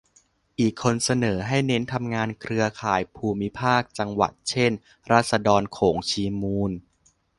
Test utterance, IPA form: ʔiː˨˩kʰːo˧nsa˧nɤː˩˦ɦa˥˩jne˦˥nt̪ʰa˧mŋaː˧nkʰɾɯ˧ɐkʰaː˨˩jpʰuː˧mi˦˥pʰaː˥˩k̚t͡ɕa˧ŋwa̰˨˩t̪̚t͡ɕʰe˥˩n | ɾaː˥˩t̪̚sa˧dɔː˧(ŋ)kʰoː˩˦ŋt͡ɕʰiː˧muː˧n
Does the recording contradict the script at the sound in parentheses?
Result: yes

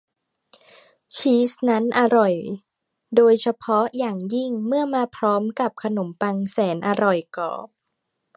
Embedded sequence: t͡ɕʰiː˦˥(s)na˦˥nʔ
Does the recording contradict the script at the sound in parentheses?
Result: no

